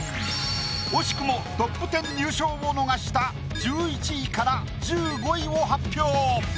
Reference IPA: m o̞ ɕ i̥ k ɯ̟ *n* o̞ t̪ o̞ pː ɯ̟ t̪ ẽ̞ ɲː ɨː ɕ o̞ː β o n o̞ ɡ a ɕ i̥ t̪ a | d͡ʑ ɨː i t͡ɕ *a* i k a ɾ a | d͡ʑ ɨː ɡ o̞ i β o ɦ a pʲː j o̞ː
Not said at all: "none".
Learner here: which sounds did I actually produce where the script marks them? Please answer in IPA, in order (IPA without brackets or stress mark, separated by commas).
m, i